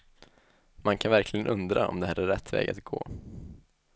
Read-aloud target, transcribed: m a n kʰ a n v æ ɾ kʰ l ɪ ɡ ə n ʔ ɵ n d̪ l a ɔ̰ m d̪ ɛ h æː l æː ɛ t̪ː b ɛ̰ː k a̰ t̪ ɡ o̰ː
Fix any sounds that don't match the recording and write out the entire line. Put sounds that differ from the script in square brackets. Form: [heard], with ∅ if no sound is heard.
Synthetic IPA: m a n kʰ a n v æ ɾ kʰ l ɪ ɡ ə n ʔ ɵ n d̪ [ɾ] a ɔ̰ m d̪ ɛ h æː [ɾ] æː ɛ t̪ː [v] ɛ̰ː [ɡ] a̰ t̪ ɡ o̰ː